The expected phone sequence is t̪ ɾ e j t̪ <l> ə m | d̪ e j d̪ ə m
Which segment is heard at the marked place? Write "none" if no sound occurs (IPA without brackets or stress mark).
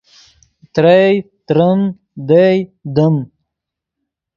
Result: ɾ